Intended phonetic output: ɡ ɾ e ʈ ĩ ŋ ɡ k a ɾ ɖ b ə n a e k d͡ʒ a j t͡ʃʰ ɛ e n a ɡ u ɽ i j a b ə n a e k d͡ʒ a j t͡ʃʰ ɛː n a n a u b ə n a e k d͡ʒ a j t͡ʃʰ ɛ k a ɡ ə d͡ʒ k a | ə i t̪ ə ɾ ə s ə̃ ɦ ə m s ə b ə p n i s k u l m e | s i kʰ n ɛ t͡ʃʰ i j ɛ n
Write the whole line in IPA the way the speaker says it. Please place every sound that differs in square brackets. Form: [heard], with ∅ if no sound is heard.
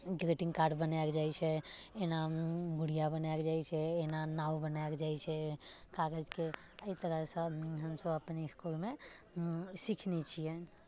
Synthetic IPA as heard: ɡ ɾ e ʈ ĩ ŋ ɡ k a ɾ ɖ b ə n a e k d͡ʒ a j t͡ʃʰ ɛ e n a ɡ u ɽ i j a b ə n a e k d͡ʒ a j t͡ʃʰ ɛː n a n a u b ə n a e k d͡ʒ a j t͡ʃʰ ɛ k a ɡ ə d͡ʒ k [e] | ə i t̪ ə ɾ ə s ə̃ ɦ ə m s ə b ə p n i s k u l m e | s i kʰ n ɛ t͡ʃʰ i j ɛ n

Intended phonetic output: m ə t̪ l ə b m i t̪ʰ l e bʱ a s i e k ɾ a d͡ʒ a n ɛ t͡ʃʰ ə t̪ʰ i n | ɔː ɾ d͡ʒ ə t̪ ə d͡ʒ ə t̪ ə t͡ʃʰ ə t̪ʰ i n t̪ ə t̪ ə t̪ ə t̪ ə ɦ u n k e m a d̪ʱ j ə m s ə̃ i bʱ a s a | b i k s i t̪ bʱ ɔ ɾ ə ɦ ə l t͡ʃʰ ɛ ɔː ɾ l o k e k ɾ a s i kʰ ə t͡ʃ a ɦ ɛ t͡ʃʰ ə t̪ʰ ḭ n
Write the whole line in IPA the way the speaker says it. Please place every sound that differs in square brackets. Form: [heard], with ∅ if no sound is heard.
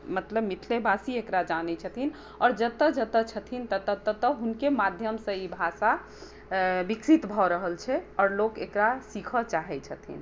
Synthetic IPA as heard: m ə t̪ l ə b m i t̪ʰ l e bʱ a s i e k ɾ a d͡ʒ a n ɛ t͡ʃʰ ə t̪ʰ i n | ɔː ɾ d͡ʒ ə t̪ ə d͡ʒ ə t̪ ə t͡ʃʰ ə t̪ʰ i n t̪ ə t̪ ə t̪ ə t̪ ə ɦ u n k e m a d̪ʱ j ə m s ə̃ i bʱ a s a | b i k s i t̪ bʱ ɔ ɾ ə ɦ ə l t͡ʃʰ ɛ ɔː ɾ l o k e k ɾ a s i kʰ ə t͡ʃ a ɦ ɛ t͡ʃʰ ə t̪ʰ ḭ n

